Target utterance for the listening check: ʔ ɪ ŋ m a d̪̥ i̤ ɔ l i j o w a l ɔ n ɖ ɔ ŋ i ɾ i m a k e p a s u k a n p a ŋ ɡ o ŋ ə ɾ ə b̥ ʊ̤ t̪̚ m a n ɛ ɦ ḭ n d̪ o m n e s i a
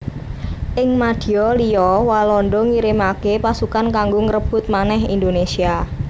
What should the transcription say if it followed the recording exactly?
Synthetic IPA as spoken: ʔ ɪ ŋ m a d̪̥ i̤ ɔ l i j ɔ w a l ɔ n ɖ ɔ ŋ i ɾ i m a k e p a s u k a n k a ŋ ɡ o ŋ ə ɾ ə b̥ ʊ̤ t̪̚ m a n ɛ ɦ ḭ n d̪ o n e s i a